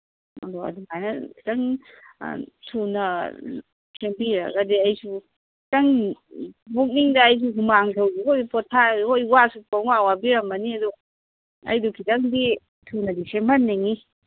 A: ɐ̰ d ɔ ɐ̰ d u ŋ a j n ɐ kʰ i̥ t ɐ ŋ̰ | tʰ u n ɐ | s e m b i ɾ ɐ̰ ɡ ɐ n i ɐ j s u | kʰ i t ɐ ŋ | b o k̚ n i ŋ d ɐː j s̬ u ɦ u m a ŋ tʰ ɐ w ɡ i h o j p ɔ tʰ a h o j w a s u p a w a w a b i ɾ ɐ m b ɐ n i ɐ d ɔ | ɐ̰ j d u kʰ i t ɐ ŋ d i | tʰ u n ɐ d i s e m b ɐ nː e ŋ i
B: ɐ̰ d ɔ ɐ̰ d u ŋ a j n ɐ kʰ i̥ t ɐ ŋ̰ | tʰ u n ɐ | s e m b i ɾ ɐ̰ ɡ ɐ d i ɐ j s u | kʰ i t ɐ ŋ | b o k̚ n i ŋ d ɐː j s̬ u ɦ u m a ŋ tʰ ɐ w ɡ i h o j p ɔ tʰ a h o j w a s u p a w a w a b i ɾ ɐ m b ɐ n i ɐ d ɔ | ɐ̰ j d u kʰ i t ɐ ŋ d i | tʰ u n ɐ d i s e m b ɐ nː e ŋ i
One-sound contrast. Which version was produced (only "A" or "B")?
B